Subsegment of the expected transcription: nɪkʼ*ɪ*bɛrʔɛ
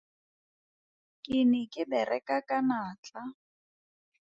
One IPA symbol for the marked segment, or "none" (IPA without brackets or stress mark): ɪ